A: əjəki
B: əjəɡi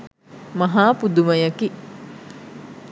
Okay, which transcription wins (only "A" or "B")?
A